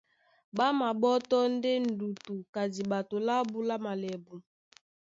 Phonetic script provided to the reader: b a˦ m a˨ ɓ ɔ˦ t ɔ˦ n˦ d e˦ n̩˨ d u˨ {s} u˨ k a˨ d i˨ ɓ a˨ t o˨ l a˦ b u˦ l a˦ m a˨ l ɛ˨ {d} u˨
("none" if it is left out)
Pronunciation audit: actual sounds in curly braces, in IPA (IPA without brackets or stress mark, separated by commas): t, b